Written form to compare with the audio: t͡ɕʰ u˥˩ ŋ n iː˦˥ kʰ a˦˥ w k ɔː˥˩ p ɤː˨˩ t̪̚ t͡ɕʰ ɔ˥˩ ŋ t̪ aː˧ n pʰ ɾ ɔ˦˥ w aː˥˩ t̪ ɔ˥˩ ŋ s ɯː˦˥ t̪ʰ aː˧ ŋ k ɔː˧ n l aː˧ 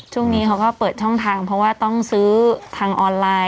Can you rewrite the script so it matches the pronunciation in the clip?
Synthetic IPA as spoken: t͡ɕʰ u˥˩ ŋ n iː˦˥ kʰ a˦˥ w k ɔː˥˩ p ɤː˨˩ t̪̚ t͡ɕʰ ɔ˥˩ ŋ t̪ʰ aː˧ ŋ pʰ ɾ ɔ˦˥ w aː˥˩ t̪ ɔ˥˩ ŋ s ɯː˦˥ t̪ʰ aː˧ ŋ ʔ ɔː˧ n l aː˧